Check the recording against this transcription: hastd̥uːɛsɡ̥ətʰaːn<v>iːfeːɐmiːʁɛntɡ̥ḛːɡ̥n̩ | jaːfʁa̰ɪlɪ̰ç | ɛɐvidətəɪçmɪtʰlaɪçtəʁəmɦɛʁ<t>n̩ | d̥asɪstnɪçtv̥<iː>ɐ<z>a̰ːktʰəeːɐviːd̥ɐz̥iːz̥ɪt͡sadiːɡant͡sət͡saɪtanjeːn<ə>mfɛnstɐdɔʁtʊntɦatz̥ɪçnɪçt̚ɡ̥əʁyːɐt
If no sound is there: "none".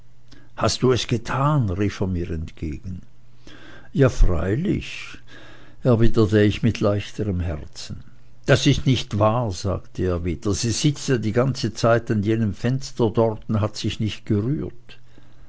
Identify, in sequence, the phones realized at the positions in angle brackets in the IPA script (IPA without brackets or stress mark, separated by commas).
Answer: ʁ, t͡s, aː, z, ə